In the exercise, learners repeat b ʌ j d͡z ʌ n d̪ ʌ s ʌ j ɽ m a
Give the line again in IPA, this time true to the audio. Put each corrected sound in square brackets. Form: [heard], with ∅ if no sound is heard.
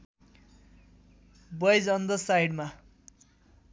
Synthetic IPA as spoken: b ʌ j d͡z ʌ n d̪ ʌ s [a] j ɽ m a